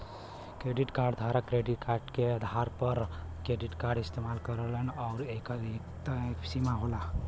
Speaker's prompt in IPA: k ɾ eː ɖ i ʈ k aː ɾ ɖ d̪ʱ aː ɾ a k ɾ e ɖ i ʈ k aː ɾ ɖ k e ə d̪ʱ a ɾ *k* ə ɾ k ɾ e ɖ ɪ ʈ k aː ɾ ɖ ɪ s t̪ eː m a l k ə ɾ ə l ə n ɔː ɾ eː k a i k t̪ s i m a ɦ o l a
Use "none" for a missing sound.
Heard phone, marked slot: p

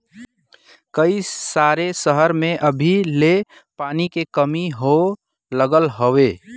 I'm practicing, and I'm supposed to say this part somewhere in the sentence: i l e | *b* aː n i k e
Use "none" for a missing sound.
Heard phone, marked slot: p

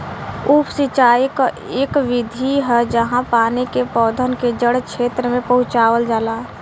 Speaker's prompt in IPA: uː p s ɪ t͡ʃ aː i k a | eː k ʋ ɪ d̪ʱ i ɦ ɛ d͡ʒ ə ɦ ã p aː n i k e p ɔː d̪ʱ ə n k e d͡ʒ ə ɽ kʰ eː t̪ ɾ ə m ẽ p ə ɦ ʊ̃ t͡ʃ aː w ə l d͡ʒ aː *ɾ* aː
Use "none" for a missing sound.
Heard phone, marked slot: l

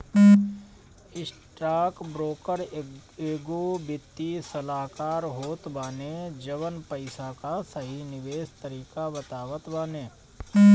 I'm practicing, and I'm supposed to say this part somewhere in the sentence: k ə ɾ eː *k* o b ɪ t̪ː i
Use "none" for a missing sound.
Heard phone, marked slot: ɡ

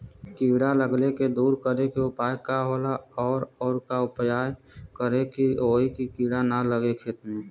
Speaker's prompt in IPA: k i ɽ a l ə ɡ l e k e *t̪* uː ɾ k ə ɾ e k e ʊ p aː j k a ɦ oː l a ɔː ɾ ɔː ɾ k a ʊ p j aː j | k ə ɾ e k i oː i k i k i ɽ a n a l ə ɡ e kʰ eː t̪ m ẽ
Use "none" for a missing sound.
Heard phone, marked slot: d̪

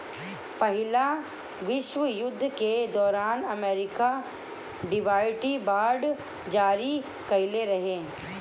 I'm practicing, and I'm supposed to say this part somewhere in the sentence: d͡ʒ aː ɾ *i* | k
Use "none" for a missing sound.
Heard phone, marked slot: i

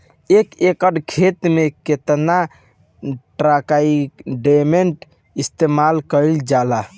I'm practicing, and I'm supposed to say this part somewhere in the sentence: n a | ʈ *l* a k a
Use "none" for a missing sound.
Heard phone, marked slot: ɾ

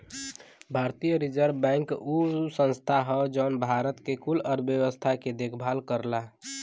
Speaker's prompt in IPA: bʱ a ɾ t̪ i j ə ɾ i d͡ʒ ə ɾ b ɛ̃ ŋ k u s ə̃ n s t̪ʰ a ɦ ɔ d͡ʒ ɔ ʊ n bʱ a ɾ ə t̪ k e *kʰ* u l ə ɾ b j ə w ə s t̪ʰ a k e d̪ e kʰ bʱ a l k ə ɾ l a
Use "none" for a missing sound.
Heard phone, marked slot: k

